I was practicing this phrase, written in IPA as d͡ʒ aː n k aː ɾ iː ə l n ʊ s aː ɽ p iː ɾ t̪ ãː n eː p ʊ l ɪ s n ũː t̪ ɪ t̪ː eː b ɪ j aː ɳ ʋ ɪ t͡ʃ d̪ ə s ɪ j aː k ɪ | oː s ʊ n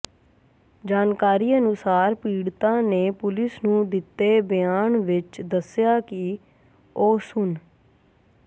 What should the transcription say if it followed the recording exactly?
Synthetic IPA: d͡ʒ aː n k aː ɾ iː ə n ʊ s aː ɾ p iː ɽ t̪ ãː n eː p ʊ l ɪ s n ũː d̪ ɪ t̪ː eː b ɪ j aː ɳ ʋ ɪ t͡ʃ d̪ ə s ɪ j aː k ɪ | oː s ʊ n

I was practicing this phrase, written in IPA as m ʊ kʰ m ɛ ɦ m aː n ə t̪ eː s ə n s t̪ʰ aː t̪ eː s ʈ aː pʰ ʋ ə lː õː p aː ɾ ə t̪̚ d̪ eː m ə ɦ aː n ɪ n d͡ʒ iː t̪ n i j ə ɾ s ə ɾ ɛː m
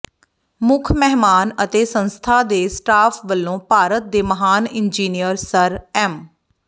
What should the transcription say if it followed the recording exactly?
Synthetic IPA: m ʊ kʰ m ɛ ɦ m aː n ə t̪ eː s ə n s t̪ʰ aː d̪ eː s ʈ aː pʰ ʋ ə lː õː p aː ɾ ə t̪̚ d̪ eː m ə ɦ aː n ɪ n d͡ʒ iː n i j ə ɾ s ə ɾ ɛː m

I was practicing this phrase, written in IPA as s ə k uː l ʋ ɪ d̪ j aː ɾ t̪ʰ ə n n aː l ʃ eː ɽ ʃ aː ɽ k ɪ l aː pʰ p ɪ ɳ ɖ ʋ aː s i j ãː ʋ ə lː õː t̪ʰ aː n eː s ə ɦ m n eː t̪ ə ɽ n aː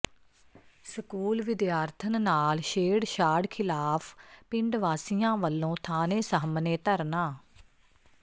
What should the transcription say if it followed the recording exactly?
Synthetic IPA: s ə k uː l ʋ ɪ d̪ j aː ɾ t̪ʰ ə n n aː l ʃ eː ɽ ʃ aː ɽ kʰ ɪ l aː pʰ p ɪ ɳ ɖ ʋ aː s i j ãː ʋ ə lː õː t̪ʰ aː n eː s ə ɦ m n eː t̪ ə ɾ n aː

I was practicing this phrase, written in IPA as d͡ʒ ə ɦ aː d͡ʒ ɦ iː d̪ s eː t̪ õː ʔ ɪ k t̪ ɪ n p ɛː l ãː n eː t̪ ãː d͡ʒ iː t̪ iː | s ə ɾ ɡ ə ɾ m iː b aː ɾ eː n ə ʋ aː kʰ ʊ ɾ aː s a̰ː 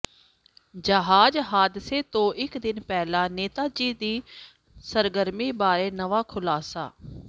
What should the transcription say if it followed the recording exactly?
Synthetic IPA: d͡ʒ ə ɦ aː d͡ʒ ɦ aː d̪ s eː t̪ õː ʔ ɪ k d̪ ɪ n p ɛː l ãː n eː t̪ aː d͡ʒ iː d̪ iː | s ə ɾ ɡ ə ɾ m iː b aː ɾ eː n ə ʋ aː kʰ ʊ l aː s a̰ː

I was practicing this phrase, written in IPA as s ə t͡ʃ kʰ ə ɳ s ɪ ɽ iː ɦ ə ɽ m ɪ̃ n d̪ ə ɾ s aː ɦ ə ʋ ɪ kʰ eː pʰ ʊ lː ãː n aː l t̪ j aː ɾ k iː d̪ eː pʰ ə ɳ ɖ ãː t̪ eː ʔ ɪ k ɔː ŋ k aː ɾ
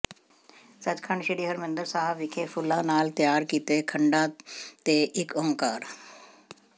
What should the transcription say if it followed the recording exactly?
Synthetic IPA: s ə t͡ʃ kʰ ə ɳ ʃ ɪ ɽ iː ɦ ə ɾ m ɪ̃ n d̪ ə ɾ s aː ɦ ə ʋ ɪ kʰ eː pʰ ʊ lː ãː n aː l t̪ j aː ɾ k iː t̪ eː kʰ ə ɳ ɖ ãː t̪ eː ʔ ɪ k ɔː ŋ k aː ɾ

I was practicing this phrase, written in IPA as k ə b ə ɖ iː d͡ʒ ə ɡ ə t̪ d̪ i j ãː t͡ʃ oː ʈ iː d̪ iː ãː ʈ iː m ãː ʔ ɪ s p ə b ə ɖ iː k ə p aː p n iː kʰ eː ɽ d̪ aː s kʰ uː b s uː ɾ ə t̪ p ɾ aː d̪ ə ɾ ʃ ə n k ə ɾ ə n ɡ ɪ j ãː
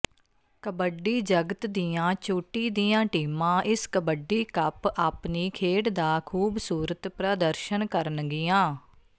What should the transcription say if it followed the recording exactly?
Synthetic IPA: k ə b ə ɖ iː d͡ʒ ə ɡ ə t̪ d̪ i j ãː t͡ʃ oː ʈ iː d̪ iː ãː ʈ iː m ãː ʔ ɪ s k ə b ə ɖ iː k ə p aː p n iː kʰ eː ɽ d̪ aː kʰ uː b s uː ɾ ə t̪ p ɾ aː d̪ ə ɾ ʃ ə n k ə ɾ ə n ɡ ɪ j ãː

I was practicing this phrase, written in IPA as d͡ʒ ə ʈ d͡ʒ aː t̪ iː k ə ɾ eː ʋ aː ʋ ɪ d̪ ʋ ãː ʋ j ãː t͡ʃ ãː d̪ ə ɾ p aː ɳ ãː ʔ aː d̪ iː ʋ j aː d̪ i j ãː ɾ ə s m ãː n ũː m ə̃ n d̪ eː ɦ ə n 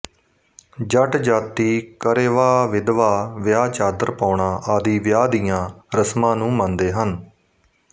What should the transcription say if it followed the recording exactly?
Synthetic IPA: d͡ʒ ə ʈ d͡ʒ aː t̪ iː k ə ɾ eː ʋ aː ʋ ɪ d̪ ʋ aː ʋ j aː t͡ʃ aː d̪ ə ɾ p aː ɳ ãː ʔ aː d̪ iː ʋ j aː d̪ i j ãː ɾ ə s m ãː n ũː m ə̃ n d̪ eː ɦ ə n

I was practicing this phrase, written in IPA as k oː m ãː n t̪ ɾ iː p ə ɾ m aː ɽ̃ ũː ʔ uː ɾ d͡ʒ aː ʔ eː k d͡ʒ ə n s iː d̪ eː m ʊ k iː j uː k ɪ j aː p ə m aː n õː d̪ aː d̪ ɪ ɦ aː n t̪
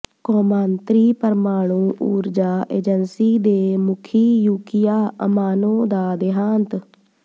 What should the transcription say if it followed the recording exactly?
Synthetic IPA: k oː m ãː n t̪ ɾ iː p ə ɾ m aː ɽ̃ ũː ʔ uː ɾ d͡ʒ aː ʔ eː d͡ʒ ə n s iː d̪ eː m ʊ kʰ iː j uː k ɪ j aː ə m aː n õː d̪ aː d̪ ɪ ɦ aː n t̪

